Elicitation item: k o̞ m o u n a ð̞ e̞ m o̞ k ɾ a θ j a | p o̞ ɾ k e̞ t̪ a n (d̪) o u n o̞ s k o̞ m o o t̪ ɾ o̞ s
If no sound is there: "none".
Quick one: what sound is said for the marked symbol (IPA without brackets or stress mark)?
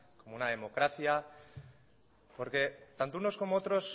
t̪